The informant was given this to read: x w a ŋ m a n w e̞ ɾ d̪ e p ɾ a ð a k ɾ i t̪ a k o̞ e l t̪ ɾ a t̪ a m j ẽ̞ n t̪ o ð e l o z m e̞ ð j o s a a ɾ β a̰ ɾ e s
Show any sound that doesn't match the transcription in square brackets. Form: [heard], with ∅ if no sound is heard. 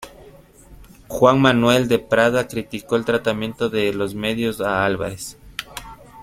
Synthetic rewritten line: x w a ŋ m a n w e̞ [l] d̪ e p ɾ a ð a k ɾ i t̪ [i] k o̞ e l t̪ ɾ a t̪ a m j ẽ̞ n t̪ o ð e l o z m e̞ ð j o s a a [l] β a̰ ɾ e s